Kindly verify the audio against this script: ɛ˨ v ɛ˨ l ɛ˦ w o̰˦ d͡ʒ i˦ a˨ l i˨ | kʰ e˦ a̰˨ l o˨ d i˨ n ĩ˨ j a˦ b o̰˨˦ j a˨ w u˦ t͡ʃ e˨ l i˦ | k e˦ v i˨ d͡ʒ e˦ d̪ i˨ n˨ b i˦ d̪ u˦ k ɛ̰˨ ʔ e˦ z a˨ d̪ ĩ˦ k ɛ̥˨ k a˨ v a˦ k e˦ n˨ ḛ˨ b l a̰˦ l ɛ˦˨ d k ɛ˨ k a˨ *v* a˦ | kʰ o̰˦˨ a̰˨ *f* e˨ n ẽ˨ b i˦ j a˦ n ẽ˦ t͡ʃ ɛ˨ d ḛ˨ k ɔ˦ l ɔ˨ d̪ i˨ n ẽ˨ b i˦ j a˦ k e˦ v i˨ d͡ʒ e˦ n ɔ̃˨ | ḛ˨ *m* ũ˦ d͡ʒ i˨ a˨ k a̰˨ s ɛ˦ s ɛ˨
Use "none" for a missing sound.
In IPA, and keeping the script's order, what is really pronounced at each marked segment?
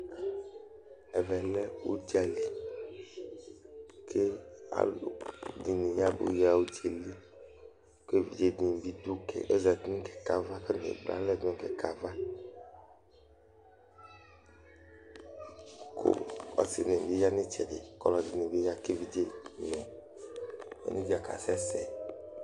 v, s, n

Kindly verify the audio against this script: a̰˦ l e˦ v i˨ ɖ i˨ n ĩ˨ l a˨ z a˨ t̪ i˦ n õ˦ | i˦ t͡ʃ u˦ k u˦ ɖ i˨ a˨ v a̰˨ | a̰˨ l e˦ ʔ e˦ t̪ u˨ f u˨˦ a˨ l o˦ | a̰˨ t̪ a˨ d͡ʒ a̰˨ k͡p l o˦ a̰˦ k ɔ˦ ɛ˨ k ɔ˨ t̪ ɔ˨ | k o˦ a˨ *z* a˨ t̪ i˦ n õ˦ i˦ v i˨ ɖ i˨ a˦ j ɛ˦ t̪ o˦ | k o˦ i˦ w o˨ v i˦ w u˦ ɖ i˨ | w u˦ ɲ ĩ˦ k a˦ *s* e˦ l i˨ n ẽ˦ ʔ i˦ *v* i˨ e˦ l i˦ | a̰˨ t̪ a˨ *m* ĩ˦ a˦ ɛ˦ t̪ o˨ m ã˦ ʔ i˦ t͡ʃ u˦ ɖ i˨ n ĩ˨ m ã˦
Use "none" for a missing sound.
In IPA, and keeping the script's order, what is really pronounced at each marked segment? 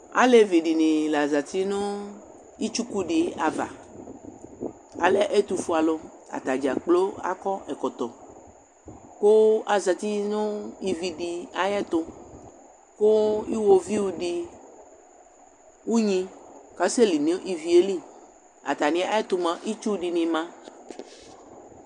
z, s, v, n

